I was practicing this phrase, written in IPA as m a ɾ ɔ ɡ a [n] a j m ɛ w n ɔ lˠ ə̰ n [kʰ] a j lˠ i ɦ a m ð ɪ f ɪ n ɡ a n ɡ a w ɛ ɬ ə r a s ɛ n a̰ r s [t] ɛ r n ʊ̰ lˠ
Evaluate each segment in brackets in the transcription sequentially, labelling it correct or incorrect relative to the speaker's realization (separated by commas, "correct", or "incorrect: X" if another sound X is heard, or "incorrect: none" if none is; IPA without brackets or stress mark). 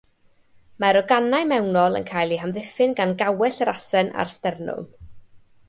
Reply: correct, correct, correct